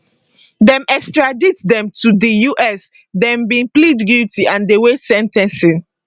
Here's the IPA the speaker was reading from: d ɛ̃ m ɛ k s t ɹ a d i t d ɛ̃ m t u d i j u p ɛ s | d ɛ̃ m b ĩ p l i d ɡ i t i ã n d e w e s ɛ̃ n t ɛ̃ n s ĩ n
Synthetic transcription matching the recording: d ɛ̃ m ɛ k s t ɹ a d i t d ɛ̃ m t u d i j u ʔ ɛ s | d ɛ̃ m b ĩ p l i d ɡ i t i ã n d e w e s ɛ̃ n t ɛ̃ n s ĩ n